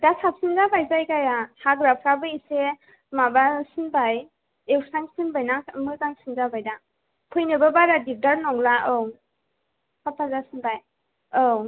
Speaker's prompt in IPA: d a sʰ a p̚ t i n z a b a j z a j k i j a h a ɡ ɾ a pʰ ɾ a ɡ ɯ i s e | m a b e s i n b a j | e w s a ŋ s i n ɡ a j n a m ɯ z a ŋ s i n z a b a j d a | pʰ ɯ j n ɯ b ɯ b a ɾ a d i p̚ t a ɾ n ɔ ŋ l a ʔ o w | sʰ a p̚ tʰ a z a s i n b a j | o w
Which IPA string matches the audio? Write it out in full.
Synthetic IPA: d a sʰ a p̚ s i n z a b a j z a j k a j a h a ɡ ɾ a pʰ ɾ a b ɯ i s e | m a b a s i n b a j | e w s a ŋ s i n b a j n a m ɯ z a ŋ s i n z a b a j d a | pʰ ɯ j n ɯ b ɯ b a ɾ a d i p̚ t a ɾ n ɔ ŋ l a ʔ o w | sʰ a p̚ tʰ a z a s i n b a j | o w